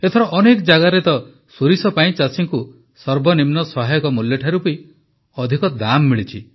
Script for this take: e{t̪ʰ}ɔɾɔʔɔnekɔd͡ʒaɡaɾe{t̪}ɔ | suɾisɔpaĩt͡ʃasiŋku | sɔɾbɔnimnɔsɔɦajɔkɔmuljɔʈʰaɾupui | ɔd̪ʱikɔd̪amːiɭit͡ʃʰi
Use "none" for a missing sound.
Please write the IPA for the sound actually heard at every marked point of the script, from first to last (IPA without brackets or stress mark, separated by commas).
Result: t̪ʰ, t̪